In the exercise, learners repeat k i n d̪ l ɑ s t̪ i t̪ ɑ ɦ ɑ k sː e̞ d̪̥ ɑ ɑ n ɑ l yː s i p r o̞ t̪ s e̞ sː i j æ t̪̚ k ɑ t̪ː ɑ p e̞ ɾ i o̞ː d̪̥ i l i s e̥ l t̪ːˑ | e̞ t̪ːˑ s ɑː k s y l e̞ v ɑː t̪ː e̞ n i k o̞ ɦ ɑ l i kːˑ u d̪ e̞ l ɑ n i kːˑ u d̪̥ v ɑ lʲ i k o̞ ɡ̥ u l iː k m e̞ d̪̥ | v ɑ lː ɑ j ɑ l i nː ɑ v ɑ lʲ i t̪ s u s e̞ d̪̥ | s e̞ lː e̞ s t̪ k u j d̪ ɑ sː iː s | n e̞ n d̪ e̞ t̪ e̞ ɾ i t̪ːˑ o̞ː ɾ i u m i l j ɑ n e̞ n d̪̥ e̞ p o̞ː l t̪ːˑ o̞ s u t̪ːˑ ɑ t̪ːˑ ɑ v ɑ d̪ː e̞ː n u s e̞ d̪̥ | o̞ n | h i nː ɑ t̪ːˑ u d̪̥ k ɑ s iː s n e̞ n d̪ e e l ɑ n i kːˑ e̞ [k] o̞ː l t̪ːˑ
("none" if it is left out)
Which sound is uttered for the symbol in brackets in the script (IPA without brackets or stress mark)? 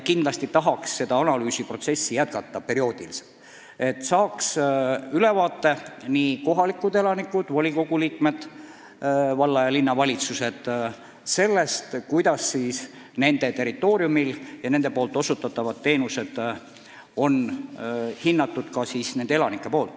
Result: p